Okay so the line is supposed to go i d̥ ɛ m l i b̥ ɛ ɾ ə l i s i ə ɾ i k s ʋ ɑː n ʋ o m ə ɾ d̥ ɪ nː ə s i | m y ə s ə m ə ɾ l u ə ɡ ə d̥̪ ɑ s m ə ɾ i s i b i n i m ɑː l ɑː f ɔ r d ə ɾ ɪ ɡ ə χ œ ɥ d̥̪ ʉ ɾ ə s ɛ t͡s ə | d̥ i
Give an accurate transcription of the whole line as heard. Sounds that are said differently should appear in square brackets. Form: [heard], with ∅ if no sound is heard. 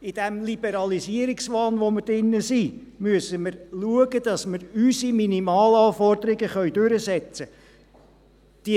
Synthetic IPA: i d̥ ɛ m l i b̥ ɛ ɾ [ɑ] l i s i ə ɾ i k s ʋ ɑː n ʋ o m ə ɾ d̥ ɪ nː ə s i | m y ə s ə m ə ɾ l u ə ɡ ə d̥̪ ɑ s m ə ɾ [y] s i [m] i n i m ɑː l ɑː f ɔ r d ə ɾ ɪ ɡ ə χ œ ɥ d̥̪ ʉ ɾ ə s ɛ t͡s ə | d̥ i